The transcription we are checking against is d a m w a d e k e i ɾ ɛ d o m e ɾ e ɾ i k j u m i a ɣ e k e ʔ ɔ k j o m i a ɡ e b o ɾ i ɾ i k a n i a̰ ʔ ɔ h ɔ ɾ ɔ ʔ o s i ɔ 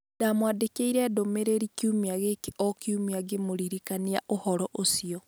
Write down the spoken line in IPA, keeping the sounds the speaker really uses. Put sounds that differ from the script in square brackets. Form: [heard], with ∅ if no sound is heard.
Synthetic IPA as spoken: d a m w a d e k e i ɾ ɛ d o m e ɾ e ɾ i k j u m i a ɣ e k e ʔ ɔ k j [u] m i a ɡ e [m] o ɾ i ɾ i k a n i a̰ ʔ [o] h ɔ ɾ ɔ ʔ o s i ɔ